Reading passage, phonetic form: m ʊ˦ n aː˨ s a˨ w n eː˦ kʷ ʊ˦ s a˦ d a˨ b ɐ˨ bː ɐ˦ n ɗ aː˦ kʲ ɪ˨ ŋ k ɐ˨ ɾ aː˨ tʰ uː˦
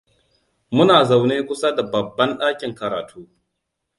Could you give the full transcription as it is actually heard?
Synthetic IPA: m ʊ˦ n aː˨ z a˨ w n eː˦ kʷ ʊ˦ s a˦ d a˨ b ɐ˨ bː ɐ˦ n ɗ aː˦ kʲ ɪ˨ ŋ k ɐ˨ ɾ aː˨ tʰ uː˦